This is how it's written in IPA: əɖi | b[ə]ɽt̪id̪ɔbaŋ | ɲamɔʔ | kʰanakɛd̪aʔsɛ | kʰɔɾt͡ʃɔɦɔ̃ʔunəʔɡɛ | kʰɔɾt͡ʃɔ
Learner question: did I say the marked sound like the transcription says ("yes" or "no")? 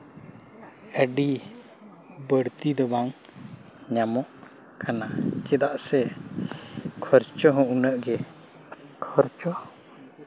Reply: yes